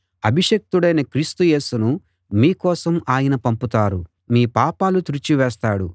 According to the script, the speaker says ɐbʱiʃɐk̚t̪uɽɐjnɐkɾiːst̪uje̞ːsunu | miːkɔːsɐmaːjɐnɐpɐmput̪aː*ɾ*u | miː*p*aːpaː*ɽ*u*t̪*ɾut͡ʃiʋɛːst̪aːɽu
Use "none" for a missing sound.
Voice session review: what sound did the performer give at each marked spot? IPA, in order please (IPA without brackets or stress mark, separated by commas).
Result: ɾ, p, l, t̪